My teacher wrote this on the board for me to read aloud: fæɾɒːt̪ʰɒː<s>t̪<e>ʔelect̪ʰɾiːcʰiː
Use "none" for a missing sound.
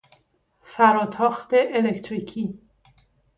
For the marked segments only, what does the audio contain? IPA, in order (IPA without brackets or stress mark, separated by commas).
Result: x, e